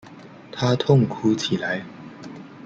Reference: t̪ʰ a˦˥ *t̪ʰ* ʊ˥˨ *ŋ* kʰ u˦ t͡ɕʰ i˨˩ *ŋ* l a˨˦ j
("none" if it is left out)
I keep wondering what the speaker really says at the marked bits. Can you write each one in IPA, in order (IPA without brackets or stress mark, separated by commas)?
t̪ʰ, ŋ, none